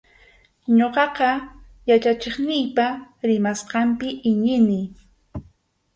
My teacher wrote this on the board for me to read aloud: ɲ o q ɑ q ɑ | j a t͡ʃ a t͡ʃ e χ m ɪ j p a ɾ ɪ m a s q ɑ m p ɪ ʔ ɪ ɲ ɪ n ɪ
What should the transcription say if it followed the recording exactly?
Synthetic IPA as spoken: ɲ o q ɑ q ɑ | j a t͡ʃ a t͡ʃ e χ n ɪ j p a ɾ ɪ m a s q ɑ m p ɪ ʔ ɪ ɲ ɪ n ɪ